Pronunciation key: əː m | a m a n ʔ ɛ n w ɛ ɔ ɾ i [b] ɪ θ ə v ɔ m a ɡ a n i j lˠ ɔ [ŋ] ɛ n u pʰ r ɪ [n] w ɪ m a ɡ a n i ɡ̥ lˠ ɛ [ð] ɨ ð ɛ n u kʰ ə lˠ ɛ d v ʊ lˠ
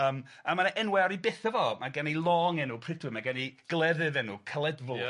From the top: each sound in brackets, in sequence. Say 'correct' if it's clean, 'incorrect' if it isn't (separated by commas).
correct, correct, incorrect, correct